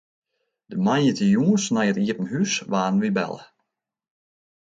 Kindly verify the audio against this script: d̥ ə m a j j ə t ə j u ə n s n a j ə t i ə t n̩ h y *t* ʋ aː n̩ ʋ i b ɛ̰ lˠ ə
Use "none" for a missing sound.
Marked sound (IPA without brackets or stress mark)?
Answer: s